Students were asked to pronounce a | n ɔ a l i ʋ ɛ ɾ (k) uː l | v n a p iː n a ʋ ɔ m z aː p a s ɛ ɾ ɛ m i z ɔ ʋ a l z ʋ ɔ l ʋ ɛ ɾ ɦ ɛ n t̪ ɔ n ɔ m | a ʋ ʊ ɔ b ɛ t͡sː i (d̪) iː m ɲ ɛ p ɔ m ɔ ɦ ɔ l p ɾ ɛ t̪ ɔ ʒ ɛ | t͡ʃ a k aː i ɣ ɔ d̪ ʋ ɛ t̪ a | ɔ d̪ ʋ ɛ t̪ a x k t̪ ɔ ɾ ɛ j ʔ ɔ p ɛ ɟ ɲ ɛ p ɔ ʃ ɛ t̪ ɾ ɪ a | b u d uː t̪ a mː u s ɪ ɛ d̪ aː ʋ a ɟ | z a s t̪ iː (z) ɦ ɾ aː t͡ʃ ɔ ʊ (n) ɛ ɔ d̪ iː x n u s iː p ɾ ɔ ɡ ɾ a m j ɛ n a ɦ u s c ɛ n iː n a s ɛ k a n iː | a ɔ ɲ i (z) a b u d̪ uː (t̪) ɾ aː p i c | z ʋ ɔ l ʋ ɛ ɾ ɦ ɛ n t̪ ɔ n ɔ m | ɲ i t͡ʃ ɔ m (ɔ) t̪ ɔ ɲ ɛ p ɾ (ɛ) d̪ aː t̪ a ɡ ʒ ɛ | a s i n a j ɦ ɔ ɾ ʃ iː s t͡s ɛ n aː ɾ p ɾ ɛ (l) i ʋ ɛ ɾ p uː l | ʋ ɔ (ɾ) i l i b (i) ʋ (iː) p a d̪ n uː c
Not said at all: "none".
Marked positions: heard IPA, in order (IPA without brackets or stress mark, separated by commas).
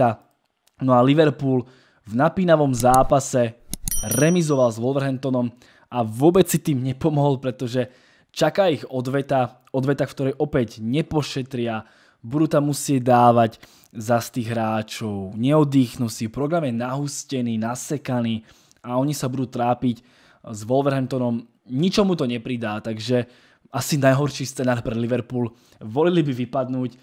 p, t̪, ɣ, ɲ, s, t̪, u, i, l, l, i, i